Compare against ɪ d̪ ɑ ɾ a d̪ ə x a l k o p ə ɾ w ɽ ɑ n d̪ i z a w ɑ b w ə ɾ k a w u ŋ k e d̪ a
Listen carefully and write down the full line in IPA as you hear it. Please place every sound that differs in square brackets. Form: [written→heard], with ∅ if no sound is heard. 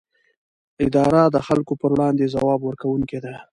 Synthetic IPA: ɪ d̪ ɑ ɾ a d̪ ə x a l k o p ə ɾ w ɽ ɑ n d̪ [i→e] z a w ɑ b w ə ɾ k a w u ŋ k e d̪ a